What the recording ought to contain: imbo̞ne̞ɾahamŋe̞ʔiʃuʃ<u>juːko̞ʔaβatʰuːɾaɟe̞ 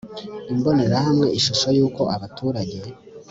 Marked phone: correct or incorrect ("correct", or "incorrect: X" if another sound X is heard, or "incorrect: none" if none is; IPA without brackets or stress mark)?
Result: incorrect: o